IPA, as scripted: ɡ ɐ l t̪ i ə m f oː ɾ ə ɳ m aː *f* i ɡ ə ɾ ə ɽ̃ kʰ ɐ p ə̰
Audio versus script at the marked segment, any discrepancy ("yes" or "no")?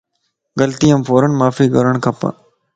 no